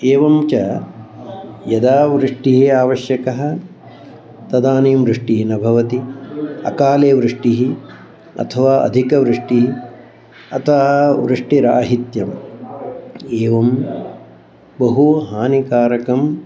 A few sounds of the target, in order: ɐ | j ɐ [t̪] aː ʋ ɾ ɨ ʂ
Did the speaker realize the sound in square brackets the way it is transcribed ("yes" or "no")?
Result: no